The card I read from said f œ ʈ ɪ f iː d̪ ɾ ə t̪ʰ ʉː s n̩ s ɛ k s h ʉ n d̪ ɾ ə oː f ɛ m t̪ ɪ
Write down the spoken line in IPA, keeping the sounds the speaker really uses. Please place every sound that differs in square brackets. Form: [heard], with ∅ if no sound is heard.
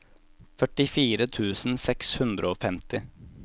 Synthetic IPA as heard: f œ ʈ ɪ f iː [∅] ɾ ə t̪ʰ ʉː s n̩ s ɛ k s h ʉ n d̪ ɾ ə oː f ɛ m t̪ ɪ